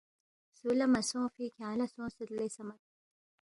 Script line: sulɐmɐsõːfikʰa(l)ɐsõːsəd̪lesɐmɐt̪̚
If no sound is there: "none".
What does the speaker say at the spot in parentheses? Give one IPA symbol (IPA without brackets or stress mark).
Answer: l